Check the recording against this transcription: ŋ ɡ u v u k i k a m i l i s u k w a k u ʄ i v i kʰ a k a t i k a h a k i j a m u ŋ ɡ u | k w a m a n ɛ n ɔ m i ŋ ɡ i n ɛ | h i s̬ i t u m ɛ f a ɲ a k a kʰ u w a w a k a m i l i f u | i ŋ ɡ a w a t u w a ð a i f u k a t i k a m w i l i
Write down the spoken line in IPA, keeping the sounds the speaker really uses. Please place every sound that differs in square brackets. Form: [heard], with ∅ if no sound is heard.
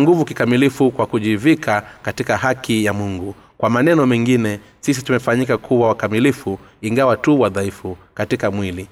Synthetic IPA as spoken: ŋ ɡ u v u k i k a m i l i [f] u k w a k u ʄ i v i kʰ a k a t i k a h a k i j a m u ŋ ɡ u | k w a m a n ɛ n ɔ m [ɛ] ŋ ɡ i n ɛ | [s] i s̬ i t u m ɛ f a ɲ [i] k a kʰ u w a w a k a m i l i f u | i ŋ ɡ a w a t u w a ð a i f u k a t i k a m w i l i